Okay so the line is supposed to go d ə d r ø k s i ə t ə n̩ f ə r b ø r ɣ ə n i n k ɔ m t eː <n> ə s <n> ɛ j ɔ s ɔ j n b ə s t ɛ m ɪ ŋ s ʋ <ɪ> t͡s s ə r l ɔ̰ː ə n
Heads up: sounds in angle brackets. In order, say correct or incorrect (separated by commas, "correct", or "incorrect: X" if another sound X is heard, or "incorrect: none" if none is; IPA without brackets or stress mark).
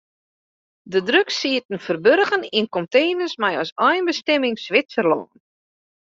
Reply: correct, incorrect: m, correct